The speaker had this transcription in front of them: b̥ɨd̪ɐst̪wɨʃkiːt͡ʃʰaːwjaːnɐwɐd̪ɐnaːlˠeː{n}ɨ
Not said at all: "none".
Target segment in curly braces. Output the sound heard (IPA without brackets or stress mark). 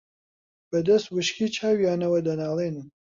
n